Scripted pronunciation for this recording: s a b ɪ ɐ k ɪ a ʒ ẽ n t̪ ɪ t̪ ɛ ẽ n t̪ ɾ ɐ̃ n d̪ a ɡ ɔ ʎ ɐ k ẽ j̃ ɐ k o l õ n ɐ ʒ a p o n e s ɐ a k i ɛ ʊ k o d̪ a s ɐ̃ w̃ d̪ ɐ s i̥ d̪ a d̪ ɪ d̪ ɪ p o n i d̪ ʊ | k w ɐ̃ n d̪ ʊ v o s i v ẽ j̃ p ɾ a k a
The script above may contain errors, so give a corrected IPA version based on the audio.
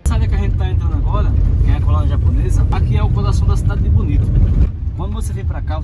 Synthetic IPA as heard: s a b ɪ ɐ k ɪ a ʒ ẽ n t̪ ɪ t̪ a ẽ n t̪ ɾ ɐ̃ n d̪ a ɡ ɔ ɾ ɐ k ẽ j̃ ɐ k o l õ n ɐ ʒ a p o n e z ɐ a k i ɛ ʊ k o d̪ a s ɐ̃ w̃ d̪ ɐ s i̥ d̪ a d̪ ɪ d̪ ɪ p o n i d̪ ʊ | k w ɐ̃ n d̪ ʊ v o s e v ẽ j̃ p ɾ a k a